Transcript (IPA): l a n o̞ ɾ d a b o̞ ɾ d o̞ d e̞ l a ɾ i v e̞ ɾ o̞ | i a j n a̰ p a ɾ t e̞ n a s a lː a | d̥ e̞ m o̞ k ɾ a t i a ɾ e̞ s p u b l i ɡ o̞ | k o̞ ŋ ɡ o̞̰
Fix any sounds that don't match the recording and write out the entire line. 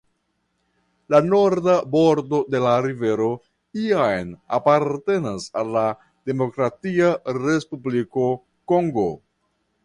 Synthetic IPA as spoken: l a n o̞ ɾ d a b o̞ ɾ d o̞ d e̞ l a ɾ i v e̞ ɾ o̞ | i a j n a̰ p a ɾ t e̞ n a s a lː a | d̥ e̞ m o̞ k ɾ a t i a ɾ e̞ s p u b l i k o̞ | k o̞ ŋ ɡ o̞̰